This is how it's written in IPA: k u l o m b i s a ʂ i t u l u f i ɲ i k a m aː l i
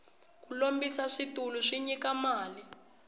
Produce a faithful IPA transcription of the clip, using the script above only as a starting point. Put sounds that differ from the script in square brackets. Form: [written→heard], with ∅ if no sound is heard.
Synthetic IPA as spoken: k u l o m b i s a ʂ i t u l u [f→ʂ] i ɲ i k a m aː l i

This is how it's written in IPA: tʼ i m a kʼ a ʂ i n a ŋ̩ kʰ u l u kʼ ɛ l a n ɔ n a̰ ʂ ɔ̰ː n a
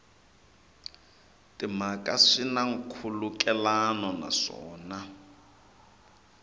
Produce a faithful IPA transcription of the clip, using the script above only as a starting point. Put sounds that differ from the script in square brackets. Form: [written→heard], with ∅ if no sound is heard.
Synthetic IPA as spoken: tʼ i m a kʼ a ʂ i n a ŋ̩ kʰ u l u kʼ ɛ l a n ɔ n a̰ ʂ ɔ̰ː n a

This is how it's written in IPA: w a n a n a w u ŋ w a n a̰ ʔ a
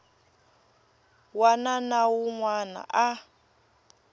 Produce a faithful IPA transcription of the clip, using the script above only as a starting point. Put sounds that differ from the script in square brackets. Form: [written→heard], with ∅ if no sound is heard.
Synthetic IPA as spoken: w a n a n a w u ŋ w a n a̰ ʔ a

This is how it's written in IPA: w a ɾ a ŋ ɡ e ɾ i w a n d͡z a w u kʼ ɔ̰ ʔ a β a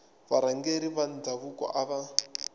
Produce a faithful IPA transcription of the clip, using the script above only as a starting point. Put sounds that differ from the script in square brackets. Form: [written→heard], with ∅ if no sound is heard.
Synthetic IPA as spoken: [w→β] a ɾ a ŋ ɡ e ɾ i [w→β] a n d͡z a [w→β] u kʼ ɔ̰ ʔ a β a

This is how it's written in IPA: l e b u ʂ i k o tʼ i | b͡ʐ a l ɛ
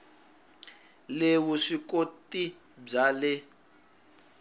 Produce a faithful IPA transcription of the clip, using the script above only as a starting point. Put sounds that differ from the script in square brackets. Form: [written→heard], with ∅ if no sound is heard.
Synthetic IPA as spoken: l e [b→w] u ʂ i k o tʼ i | b͡ʐ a l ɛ

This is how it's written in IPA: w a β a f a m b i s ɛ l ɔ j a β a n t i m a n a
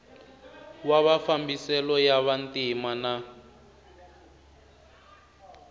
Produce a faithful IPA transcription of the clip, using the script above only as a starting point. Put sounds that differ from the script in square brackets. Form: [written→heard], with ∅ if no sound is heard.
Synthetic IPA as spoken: w a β a f a m b i s ɛ l ɔ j a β a n t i m a n a

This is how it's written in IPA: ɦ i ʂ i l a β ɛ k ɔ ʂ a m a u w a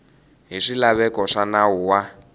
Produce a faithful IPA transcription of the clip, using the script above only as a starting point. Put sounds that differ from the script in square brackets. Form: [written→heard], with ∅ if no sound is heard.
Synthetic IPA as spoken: ɦ i ʂ i l a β ɛ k ɔ ʂ a [m→n] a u w a

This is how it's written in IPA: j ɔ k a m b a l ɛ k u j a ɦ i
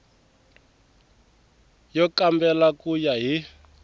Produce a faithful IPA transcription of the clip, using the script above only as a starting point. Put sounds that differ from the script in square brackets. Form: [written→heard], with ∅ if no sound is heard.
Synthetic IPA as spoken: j ɔ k a m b [a→ɛ] l [ɛ→a] k u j a ɦ i

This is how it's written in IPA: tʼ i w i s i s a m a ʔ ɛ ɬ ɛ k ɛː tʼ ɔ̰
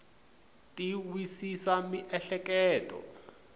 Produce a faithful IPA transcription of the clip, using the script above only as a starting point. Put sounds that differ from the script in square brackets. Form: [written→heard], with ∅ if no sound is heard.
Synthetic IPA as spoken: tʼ i w i s i s a m [a→i] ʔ ɛ ɬ ɛ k ɛː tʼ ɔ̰

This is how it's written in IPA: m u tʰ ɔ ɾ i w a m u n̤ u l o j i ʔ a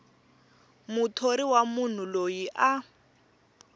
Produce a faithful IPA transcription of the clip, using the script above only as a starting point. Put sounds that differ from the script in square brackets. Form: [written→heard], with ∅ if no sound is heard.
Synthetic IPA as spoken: m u tʰ [ɔ→o] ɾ i w a m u n̤ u l o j i ʔ a

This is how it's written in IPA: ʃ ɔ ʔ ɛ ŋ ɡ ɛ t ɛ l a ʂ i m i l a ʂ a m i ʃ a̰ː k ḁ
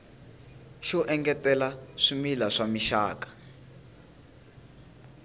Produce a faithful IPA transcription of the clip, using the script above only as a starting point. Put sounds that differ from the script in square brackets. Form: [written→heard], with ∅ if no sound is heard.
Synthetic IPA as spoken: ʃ ɔ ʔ ɛ ŋ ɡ ɛ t ɛ l a ʂ i m i l a ʂ a m i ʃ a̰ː k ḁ

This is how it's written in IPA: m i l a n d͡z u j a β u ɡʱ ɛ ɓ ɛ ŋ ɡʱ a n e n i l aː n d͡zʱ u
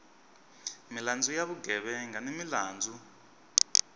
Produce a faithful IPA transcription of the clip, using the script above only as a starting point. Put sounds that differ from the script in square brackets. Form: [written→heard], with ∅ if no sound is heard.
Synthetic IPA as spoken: m i l a n d͡z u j a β u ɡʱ ɛ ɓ ɛ ŋ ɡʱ a n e [n→m] i l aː n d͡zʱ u

